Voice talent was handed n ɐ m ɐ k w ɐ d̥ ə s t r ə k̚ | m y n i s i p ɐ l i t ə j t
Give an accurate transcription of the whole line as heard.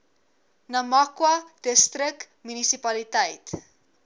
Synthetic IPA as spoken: n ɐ m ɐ k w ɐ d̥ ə s t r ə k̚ | m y n i s i p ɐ l i t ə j t